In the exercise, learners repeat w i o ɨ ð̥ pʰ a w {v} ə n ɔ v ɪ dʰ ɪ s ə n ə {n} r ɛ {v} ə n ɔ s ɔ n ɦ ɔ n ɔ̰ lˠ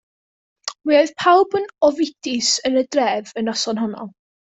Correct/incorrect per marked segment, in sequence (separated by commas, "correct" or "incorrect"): incorrect, incorrect, correct